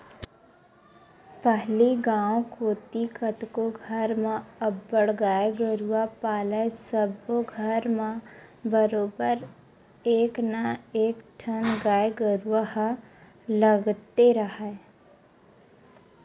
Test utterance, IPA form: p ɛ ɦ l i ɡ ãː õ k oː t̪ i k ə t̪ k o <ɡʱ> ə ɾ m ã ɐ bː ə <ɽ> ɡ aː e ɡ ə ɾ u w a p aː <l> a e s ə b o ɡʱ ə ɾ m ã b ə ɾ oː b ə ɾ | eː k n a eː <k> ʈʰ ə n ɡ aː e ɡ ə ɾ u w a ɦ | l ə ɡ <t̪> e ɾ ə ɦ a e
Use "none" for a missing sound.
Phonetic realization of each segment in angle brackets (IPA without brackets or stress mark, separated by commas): ɡʱ, ɽ, l, k, t̪